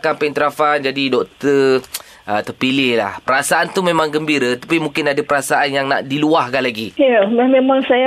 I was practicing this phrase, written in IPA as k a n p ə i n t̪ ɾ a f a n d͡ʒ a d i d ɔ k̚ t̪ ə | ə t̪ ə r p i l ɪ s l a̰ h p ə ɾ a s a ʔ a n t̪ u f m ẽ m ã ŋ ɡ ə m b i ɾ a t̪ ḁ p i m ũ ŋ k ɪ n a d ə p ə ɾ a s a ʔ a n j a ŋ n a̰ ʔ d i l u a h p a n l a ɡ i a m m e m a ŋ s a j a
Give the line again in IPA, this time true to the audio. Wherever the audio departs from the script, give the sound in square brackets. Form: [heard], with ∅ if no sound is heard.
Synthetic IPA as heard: k a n p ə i n t̪ ɾ a f a n d͡ʒ a d i d ɔ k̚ t̪ ə | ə t̪ ə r p i l ɪ [h] l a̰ h p ə ɾ a s a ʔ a n t̪ u [∅] m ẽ m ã ŋ ɡ ə m b i ɾ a t̪ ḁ p i m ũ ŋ k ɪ n a d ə p ə ɾ a s a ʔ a n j a ŋ n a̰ ʔ d i l u a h [k] a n l a ɡ i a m m e m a ŋ s a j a